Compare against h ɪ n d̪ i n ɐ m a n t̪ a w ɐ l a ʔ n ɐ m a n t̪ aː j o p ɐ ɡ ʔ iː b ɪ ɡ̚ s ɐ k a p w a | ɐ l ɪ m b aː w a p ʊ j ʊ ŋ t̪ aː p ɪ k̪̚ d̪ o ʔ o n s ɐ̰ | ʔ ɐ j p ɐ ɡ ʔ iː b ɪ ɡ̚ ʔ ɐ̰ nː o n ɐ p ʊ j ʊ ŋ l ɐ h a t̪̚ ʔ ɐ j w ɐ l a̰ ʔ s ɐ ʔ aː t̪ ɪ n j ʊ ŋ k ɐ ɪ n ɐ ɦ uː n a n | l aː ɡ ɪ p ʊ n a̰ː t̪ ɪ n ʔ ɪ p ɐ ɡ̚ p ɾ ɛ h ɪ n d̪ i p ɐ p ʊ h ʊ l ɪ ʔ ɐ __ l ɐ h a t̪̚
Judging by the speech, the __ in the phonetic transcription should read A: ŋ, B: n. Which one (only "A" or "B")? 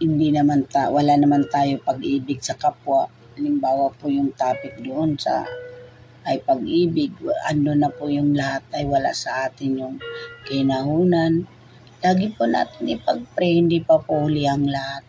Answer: A